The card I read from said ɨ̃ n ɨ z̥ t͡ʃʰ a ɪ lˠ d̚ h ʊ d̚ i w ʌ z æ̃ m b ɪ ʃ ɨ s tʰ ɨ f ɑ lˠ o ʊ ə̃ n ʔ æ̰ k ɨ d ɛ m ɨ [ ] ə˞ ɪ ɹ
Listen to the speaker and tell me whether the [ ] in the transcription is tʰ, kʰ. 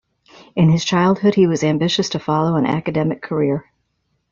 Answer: kʰ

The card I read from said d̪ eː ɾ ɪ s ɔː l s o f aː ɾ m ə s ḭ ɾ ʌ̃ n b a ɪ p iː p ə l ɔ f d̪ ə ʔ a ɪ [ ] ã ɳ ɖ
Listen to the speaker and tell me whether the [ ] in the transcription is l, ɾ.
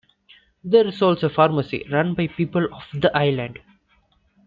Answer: l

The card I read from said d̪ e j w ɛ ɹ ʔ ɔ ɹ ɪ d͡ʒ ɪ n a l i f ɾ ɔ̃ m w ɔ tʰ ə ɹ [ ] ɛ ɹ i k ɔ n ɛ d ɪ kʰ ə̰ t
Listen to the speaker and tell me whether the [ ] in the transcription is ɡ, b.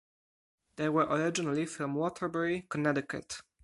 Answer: b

